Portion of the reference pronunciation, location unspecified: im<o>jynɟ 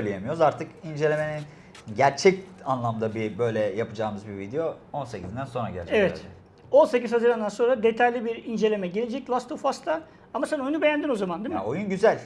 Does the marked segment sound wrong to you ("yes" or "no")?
no